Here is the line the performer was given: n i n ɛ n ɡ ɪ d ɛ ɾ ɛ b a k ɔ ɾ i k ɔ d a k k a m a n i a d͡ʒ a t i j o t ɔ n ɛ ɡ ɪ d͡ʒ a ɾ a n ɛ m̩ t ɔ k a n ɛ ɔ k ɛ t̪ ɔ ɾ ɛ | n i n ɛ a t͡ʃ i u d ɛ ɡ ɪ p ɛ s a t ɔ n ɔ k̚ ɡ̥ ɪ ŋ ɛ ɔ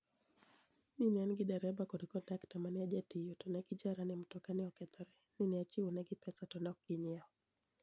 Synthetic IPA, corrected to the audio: n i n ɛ n ɡ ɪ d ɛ ɾ ɛ b a k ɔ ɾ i k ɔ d a k t a m a n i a d͡ʒ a t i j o t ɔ n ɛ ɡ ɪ d͡ʒ a ɾ a n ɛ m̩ t ɔ k a n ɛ ɔ k ɛ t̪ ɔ ɾ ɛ | n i n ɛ a t͡ʃ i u n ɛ ɡ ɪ p ɛ s a t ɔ n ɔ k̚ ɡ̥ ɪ ɲ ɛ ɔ